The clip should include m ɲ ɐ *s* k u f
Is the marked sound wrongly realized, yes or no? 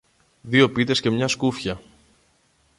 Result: no